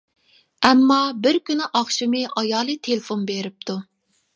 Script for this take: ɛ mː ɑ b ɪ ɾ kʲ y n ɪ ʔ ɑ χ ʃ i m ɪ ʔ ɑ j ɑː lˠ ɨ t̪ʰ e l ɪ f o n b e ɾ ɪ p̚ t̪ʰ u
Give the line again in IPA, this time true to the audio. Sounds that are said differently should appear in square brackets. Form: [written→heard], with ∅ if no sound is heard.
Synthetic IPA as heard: ɛ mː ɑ b ɪ ɾ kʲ y n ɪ ʔ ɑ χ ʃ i m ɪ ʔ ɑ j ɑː lˠ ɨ t̪ʰ e l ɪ f o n b e ɾ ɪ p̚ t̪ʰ u